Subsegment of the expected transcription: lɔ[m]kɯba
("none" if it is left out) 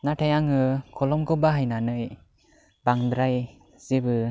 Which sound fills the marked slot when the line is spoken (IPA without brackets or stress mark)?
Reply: m